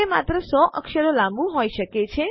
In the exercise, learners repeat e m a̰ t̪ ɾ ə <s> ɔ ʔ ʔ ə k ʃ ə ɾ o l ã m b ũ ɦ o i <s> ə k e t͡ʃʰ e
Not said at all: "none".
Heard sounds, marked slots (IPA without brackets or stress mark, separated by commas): s, ʃ